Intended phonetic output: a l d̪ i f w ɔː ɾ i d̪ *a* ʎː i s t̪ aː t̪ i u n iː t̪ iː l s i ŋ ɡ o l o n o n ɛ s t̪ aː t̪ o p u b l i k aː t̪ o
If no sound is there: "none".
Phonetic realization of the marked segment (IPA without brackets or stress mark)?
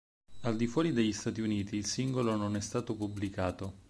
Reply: e